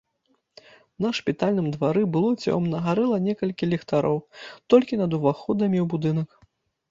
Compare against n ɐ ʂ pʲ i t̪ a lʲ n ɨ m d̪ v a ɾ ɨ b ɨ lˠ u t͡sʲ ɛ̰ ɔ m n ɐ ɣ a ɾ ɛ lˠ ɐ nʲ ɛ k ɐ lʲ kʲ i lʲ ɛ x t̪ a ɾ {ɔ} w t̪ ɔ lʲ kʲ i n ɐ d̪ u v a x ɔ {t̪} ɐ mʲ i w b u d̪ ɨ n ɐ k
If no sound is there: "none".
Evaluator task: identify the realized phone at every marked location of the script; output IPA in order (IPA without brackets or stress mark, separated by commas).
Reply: ɔ, d̪